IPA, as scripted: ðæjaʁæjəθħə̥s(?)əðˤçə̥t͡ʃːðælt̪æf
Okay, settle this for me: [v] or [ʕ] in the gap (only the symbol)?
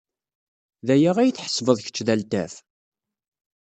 v